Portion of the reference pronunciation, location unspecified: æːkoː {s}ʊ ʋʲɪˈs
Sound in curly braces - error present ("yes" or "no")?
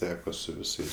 no